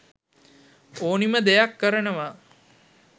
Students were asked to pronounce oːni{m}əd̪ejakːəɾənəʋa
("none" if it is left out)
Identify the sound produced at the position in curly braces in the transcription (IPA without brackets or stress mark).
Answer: m